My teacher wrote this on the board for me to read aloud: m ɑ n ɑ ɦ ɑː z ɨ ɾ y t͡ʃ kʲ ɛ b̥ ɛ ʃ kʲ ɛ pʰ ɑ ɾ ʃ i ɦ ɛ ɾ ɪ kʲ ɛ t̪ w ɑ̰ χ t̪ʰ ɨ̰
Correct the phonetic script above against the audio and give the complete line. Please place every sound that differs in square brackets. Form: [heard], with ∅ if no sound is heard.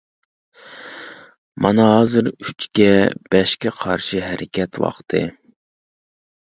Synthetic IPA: m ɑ n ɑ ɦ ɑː z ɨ ɾ y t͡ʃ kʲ ɛ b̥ ɛ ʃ kʲ ɛ [qʰ] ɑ ɾ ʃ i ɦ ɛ ɾ ɪ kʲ ɛ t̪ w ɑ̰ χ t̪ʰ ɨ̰